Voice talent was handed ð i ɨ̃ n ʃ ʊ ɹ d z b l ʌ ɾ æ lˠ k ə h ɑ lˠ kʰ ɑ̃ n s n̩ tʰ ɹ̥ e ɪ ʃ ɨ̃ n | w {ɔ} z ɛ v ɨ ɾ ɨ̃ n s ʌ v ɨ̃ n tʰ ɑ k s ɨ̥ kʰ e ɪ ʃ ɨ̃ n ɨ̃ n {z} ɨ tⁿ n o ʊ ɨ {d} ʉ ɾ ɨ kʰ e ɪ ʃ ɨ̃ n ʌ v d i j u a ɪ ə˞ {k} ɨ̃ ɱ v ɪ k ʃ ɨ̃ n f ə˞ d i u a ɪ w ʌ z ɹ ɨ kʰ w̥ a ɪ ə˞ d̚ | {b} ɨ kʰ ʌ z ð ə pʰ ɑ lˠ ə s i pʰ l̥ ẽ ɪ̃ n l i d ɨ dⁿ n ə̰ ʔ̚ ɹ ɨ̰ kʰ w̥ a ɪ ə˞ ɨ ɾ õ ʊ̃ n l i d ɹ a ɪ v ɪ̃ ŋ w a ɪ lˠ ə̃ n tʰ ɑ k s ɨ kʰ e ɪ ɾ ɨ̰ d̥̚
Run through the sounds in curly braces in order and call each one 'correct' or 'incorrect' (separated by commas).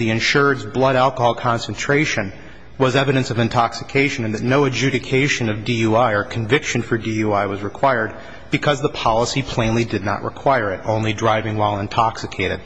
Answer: incorrect, incorrect, incorrect, incorrect, correct